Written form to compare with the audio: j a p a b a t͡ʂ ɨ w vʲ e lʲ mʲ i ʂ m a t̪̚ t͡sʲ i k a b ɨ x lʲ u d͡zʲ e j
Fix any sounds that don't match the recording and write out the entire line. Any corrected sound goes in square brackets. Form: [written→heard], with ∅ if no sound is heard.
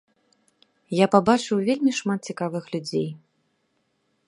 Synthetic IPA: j a p a b a t͡ʂ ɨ w vʲ e lʲ mʲ i ʂ m a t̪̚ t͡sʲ i k a [b→v] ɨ x lʲ u d͡zʲ e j